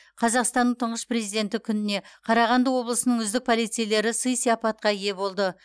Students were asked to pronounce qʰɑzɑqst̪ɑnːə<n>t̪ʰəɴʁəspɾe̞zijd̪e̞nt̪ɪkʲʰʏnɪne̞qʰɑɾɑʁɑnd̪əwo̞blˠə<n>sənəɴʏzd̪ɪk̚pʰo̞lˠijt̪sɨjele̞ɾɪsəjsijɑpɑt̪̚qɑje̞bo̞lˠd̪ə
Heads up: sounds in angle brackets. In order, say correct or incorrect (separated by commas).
incorrect, incorrect